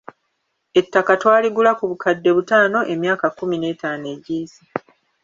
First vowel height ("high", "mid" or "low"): mid